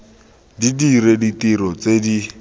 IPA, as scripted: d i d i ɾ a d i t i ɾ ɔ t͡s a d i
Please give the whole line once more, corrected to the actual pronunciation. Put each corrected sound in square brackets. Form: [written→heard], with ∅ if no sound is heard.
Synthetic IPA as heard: d i d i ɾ [a→e] d i t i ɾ ɔ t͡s [a→e] d i